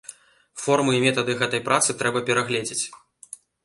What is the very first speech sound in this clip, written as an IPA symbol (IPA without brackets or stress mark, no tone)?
f